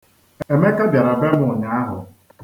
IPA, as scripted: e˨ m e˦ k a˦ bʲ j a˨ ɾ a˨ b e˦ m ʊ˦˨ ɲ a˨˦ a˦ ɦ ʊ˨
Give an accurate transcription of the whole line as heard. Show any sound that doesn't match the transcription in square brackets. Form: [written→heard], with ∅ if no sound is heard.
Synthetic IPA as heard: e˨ m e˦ k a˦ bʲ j a˨ ɾ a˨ b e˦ m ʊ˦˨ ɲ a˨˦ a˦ ɦ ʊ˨